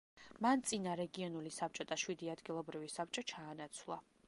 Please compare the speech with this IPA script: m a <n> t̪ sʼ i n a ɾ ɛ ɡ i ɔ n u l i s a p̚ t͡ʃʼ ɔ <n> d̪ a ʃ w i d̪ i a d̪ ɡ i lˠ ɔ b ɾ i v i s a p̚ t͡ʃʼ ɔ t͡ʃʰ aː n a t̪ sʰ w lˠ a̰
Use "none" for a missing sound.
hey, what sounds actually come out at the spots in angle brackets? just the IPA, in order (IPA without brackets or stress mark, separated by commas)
n, none